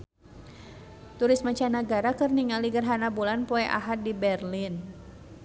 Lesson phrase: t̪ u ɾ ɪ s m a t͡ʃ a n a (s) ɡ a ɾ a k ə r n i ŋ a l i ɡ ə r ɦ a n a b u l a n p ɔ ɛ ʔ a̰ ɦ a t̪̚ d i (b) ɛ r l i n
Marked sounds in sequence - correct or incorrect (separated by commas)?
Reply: incorrect, correct